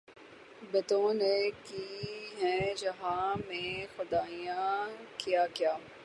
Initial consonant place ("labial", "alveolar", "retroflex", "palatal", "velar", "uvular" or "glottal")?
labial